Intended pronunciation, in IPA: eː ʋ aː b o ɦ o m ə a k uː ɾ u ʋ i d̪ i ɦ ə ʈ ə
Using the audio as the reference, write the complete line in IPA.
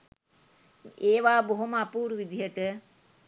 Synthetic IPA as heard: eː ʋ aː b o ɦ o m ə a p uː ɾ u ʋ i d̪ i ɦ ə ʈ ə